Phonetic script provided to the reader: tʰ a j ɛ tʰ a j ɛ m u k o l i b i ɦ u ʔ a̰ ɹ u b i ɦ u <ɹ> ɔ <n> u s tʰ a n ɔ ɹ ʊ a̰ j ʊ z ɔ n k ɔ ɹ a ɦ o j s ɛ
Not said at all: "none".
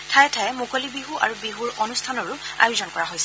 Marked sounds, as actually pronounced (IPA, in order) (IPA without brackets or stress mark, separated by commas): ɹ, n